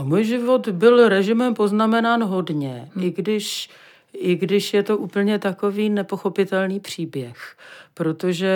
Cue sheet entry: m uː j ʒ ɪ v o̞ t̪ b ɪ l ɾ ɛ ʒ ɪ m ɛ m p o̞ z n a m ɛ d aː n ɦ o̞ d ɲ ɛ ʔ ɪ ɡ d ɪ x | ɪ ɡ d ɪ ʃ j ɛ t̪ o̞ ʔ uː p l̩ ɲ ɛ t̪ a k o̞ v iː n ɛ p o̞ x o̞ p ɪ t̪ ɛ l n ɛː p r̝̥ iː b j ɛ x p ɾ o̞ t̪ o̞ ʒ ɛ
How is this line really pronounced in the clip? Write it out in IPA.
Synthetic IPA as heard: m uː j ʒ ɪ v o̞ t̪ b ɪ l ɾ ɛ ʒ ɪ m ɛ m p o̞ z n a m ɛ n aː n ɦ o̞ d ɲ ɛ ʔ ɪ ɡ d ɪ ʃ | ɪ ɡ d ɪ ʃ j ɛ t̪ o̞ ʔ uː p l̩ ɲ ɛ t̪ a k o̞ v iː n ɛ p o̞ x o̞ p ɪ t̪ ɛ l n iː p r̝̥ iː b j ɛ x p ɾ o̞ t̪ o̞ ʒ ɛ